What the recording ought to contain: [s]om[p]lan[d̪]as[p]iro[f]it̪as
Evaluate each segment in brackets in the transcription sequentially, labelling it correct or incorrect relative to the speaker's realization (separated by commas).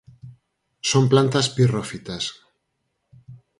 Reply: correct, correct, incorrect, correct, correct